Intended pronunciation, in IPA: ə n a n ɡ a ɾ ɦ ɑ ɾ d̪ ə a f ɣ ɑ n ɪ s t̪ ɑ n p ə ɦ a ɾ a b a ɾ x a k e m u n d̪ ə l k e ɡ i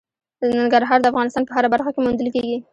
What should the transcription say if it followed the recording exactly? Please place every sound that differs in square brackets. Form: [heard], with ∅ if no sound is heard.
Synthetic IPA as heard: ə n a [ŋ] ɡ a ɾ ɦ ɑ ɾ d̪ ə a f ɣ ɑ n ɪ s t̪ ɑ n p ə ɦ a ɾ a b a ɾ x a k e m u n d̪ ə l k e ɡ i